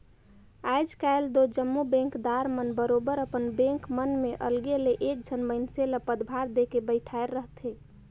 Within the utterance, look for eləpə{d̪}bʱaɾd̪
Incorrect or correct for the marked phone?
correct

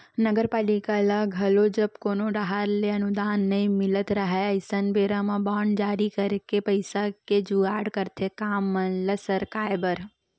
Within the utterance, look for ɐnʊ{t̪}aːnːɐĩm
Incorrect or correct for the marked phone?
incorrect: d̪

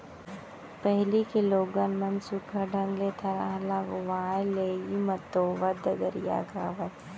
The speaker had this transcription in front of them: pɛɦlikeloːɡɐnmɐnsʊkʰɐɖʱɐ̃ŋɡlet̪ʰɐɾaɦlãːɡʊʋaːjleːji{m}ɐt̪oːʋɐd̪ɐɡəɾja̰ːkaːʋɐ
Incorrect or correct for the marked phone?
correct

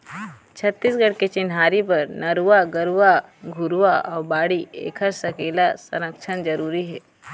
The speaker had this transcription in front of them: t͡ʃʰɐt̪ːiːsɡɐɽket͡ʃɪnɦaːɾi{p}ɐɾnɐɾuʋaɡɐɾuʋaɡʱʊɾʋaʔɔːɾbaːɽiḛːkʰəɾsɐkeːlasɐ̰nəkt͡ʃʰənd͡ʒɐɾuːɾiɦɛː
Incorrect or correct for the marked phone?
correct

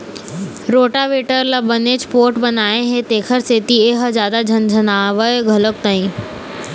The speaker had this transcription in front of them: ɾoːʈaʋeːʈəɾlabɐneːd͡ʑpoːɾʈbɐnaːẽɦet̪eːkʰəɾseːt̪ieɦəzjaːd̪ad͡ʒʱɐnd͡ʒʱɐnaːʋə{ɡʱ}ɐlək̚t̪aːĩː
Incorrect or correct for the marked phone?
correct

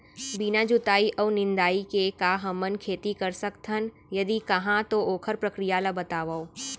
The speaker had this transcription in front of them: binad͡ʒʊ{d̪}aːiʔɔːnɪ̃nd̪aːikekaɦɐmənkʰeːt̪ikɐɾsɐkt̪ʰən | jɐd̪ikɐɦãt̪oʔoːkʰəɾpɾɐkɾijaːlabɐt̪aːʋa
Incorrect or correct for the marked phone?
incorrect: t̪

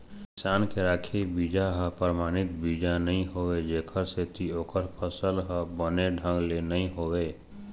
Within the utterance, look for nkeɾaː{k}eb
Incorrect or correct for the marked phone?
incorrect: kʰ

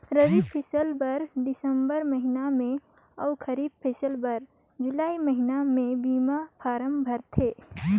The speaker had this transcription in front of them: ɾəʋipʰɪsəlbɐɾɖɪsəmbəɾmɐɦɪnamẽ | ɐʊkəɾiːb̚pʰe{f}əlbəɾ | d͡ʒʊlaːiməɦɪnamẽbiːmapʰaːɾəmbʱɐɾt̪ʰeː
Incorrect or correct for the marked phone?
incorrect: s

